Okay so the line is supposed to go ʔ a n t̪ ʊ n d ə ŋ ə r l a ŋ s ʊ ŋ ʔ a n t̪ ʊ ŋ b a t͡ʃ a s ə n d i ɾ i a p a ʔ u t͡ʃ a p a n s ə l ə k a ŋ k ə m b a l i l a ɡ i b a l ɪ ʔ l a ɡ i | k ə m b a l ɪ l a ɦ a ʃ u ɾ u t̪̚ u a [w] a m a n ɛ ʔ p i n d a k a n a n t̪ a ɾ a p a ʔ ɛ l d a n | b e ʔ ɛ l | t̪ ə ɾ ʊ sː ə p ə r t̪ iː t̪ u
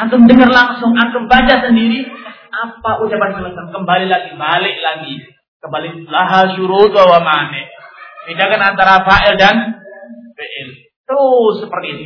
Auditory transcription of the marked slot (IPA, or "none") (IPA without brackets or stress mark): w